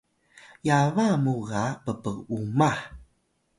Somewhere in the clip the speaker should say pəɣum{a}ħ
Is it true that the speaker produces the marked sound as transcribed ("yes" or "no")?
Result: yes